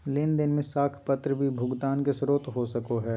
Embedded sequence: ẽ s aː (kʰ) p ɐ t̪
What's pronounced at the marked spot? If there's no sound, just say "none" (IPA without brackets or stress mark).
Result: kʰ